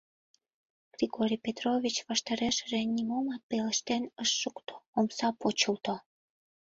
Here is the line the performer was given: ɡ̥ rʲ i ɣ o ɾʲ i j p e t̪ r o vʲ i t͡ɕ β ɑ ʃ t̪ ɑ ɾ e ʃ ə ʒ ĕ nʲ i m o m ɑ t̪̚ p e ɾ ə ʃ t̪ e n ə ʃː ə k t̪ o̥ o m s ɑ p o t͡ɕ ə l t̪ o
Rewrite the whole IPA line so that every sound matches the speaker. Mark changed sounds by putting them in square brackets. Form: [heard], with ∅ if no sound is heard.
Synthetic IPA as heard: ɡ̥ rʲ i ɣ o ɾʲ i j p e t̪ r o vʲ i t͡ɕ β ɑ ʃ t̪ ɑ ɾ e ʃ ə ʒ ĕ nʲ i m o m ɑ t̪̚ p e [l] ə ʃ t̪ e n ə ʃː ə k t̪ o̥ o m s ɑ p o t͡ɕ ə l t̪ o